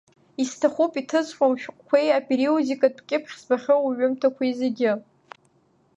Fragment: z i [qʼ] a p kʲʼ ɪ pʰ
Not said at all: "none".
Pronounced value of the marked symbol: kʼ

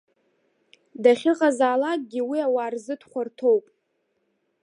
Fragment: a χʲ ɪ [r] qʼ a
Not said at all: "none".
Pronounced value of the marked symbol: none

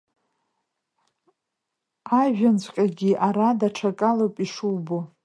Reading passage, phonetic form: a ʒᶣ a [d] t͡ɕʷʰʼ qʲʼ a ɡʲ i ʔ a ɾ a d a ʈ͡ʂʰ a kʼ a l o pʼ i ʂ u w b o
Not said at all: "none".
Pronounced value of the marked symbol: n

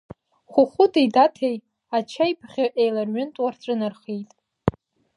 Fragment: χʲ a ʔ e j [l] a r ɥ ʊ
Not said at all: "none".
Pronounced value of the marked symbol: l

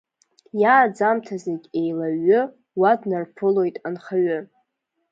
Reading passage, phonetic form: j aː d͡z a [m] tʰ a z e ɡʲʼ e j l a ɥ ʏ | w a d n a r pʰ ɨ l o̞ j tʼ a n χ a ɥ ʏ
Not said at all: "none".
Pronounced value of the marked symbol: m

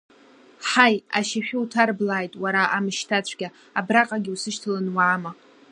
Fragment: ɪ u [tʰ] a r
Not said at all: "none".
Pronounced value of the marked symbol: tʰ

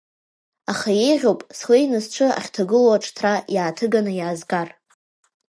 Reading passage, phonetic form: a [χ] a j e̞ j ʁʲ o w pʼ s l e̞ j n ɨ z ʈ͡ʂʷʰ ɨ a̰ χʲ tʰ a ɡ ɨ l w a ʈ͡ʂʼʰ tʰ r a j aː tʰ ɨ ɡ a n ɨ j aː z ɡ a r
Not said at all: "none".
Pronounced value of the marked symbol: χ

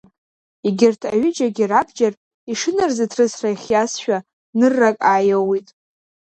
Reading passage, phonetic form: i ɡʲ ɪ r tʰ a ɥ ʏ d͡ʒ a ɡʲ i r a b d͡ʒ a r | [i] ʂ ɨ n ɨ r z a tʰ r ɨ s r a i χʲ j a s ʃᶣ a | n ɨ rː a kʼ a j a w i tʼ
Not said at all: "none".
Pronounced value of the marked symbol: i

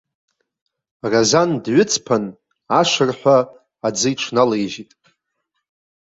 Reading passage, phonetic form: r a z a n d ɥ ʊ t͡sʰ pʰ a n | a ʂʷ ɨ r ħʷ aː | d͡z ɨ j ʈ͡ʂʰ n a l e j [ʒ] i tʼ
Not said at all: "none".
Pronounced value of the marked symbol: ʒ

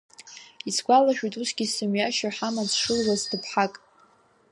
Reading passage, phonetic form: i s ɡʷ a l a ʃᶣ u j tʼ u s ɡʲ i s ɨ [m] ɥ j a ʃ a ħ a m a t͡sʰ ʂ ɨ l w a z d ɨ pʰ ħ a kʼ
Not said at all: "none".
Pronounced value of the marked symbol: m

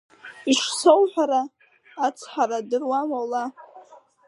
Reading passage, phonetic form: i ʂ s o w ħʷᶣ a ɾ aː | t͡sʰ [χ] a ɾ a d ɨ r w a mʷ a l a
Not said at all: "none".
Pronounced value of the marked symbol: ħ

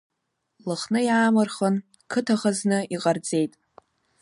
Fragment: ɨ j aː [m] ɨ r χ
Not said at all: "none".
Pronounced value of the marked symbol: m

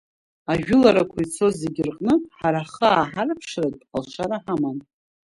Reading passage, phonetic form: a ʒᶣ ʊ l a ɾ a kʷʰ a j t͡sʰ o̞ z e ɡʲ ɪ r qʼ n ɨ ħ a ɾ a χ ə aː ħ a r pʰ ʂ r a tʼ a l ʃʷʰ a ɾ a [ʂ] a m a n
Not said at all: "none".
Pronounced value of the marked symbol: ħ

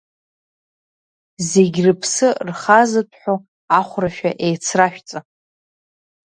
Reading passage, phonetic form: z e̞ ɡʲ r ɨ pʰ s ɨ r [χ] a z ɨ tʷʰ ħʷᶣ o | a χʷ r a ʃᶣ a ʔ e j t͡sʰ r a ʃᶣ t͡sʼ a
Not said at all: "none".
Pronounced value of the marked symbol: χ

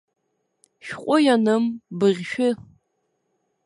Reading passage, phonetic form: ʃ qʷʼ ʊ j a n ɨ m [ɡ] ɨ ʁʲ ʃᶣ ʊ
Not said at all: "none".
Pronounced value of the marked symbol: b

